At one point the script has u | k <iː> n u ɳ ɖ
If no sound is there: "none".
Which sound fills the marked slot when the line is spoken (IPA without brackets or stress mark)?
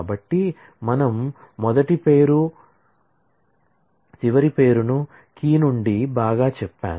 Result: iː